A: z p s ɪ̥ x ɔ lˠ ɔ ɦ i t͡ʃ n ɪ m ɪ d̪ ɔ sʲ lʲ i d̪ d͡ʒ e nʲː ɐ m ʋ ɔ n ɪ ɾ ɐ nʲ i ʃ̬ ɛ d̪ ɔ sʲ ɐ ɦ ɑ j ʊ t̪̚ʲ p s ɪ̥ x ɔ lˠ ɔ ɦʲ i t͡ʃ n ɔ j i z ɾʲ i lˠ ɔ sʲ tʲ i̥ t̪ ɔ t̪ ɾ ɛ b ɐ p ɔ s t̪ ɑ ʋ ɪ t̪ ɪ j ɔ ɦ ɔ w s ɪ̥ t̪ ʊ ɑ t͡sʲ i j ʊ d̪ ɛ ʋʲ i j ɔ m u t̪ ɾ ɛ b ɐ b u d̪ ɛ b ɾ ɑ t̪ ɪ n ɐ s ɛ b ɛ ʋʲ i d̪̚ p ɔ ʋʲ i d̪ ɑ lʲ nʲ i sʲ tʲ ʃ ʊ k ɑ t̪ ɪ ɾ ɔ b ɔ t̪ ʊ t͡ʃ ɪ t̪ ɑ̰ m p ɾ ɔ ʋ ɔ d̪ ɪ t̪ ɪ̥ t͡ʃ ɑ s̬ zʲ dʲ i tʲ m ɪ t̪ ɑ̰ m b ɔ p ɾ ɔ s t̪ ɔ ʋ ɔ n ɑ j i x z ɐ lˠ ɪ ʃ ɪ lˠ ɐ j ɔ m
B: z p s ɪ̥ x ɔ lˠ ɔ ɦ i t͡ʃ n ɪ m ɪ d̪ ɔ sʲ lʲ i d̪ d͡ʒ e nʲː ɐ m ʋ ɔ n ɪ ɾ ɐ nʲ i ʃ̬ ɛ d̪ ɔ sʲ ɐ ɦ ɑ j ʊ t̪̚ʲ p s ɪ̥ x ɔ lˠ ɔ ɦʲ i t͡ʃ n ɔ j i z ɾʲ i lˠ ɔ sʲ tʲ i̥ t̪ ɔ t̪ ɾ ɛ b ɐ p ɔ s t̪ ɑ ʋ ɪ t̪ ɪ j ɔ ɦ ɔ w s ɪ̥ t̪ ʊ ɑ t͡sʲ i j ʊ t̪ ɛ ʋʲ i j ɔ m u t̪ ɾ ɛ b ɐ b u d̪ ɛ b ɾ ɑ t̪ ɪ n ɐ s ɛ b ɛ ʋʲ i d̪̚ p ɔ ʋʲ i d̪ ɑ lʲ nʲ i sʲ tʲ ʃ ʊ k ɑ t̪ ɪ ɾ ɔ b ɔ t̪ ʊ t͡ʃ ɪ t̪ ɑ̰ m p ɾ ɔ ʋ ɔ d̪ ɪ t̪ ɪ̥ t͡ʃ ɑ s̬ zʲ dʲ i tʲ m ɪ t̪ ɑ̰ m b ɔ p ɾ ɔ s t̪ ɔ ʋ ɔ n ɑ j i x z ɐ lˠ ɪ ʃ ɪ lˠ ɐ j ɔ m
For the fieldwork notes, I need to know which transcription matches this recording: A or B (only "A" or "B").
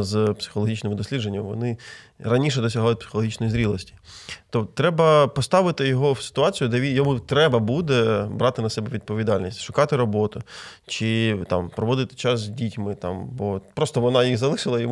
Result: A